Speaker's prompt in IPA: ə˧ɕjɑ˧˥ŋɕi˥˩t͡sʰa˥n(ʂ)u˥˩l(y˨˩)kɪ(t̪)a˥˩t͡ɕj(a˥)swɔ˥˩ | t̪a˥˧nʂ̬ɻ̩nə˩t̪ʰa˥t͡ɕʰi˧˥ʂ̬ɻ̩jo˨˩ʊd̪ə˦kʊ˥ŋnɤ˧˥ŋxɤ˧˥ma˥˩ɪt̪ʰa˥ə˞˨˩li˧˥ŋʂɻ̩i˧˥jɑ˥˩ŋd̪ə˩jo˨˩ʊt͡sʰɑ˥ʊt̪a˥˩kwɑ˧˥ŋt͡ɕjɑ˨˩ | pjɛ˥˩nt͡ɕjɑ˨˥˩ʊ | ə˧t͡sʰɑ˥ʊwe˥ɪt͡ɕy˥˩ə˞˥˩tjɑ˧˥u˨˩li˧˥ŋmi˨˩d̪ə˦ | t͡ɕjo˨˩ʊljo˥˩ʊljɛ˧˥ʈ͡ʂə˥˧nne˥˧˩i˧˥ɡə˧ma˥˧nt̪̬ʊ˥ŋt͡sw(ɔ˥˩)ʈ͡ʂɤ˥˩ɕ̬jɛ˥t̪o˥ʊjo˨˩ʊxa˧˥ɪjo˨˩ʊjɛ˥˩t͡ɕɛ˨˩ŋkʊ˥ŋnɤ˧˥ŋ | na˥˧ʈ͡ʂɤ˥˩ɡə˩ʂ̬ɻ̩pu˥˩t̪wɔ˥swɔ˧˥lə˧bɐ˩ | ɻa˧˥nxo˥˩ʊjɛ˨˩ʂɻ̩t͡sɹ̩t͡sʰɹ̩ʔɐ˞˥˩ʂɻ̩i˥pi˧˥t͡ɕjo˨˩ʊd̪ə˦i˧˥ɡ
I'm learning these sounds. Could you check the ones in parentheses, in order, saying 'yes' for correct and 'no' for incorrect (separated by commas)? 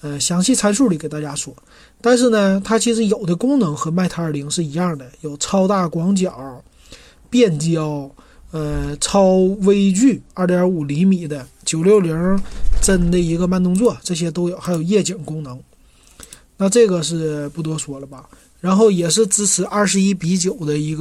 yes, no, yes, yes, yes